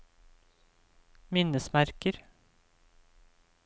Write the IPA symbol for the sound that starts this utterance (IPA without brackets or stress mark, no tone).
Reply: m